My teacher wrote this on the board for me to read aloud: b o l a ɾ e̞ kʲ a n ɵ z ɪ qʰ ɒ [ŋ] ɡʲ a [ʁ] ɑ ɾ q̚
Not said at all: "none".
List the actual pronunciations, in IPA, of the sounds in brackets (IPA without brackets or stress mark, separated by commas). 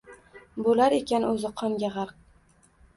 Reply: m, ʁ